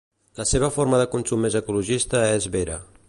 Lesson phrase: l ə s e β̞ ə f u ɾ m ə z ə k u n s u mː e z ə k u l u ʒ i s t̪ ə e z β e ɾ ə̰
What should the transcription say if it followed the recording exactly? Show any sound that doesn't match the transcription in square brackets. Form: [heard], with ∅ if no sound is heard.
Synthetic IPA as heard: l ə s e β̞ ə f [o] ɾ m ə [ð] ə k u n s u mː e z ə k u l u ʒ i s t̪ ə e z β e ɾ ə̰